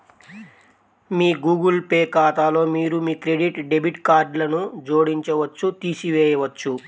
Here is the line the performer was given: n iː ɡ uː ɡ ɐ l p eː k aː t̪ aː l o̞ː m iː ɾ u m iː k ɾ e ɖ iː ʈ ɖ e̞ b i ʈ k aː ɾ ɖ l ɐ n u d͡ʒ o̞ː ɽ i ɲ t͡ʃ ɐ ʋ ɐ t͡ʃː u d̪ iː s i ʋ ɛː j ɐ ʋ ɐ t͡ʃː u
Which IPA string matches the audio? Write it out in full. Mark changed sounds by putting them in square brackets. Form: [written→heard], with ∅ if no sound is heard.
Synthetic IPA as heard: [n→m] iː ɡ uː ɡ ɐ l p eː k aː t̪ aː l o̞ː m iː ɾ u m iː k ɾ e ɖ [iː→i] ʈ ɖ e̞ b i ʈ k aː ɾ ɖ l ɐ n u d͡ʒ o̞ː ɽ i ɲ t͡ʃ ɐ ʋ ɐ t͡ʃː u [d̪→t̪] iː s i ʋ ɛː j ɐ ʋ ɐ t͡ʃː u